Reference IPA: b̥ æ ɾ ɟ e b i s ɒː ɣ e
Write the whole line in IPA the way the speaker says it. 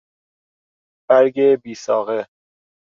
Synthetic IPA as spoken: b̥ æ ɾ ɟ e b iː s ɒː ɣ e